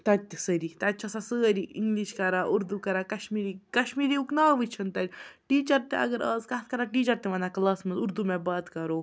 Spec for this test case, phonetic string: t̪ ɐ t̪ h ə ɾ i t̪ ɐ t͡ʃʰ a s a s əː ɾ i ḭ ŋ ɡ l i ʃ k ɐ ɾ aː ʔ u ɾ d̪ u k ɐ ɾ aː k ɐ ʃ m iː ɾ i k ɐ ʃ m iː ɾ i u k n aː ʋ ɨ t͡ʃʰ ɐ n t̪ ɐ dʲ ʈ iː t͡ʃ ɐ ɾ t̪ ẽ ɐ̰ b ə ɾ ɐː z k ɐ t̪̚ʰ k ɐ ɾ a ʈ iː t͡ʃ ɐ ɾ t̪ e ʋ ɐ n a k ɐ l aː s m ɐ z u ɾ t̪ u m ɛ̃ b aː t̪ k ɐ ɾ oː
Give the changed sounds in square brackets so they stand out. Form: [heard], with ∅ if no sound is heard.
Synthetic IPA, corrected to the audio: t̪ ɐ t̪ [s] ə ɾ i t̪ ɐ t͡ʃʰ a s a s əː ɾ i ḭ ŋ ɡ l i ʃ k ɐ ɾ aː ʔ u ɾ d̪ u k ɐ ɾ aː k ɐ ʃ m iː ɾ i k ɐ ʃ m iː ɾ i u k n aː ʋ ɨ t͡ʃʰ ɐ n t̪ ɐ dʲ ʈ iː t͡ʃ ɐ ɾ t̪ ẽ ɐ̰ [ɡ] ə ɾ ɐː z k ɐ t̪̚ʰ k ɐ ɾ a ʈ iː t͡ʃ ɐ ɾ t̪ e ʋ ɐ n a k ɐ l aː s m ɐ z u ɾ [d̪] u m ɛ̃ b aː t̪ k ɐ ɾ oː